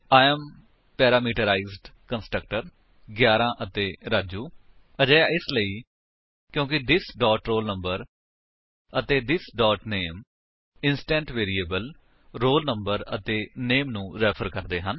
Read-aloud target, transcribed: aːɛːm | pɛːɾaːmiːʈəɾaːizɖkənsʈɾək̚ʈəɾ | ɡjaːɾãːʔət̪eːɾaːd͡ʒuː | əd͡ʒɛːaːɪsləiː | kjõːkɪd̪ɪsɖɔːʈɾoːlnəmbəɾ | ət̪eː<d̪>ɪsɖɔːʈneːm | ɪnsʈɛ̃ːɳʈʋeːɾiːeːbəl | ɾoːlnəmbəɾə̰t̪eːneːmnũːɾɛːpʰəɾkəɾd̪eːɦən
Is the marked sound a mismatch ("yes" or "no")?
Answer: no